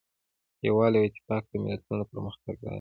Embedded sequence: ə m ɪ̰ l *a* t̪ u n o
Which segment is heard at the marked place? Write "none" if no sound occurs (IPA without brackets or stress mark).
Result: a